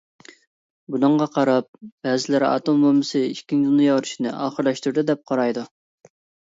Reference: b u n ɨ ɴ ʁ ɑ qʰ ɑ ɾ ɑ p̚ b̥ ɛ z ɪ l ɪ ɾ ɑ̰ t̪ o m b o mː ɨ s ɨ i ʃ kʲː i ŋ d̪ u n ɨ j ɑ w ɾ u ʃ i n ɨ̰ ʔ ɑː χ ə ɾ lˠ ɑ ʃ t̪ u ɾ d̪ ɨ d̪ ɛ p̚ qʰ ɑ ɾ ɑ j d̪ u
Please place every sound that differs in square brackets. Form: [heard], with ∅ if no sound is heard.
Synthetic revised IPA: b u n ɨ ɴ ʁ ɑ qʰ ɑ ɾ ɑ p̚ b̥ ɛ z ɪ l ɪ ɾ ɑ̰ t̪ o m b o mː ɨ s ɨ i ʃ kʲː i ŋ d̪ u n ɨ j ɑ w ɾ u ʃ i n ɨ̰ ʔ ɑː χ ə ɾ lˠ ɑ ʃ t̪ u ɾ d̪ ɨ d̪ ɛ p̚ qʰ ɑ ɾ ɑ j d̪ u